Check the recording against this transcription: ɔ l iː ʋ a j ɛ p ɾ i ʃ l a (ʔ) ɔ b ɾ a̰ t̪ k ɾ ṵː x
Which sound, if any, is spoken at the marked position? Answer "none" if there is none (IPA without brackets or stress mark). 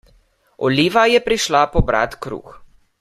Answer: p